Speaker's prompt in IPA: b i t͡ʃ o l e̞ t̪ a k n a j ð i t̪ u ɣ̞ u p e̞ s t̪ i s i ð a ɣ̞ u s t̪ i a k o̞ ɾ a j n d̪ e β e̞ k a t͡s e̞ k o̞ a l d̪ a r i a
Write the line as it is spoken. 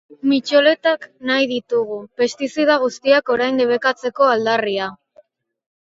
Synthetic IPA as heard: m i t͡ʃ o l e̞ t̪ a k n a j ð i t̪ u ɣ̞ u p e̞ s t̪ i s i ð a ɣ̞ u s t̪ i a k o̞ ɾ a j n d̪ e β e̞ k a t͡s e̞ k o̞ a l d̪ a r i a